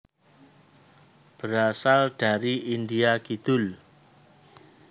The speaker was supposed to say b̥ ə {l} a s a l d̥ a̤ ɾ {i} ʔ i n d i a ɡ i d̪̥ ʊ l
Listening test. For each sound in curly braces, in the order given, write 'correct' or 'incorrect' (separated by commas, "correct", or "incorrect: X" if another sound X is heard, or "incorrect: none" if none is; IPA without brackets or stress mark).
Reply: incorrect: ɾ, correct